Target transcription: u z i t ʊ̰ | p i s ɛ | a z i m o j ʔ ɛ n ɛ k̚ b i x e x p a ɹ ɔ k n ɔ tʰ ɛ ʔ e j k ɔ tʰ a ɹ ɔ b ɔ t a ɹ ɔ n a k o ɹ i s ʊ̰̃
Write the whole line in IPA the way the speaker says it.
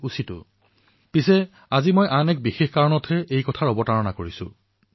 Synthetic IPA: u s i t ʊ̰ | p i s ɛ | a z i m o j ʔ a n ɛ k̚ b i x e x k a ɹ ɔ n ɔ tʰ ɛ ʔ e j k ɔ tʰ a ɹ ɔ b ɔ t a ɹ ɔ n a k o ɹ i s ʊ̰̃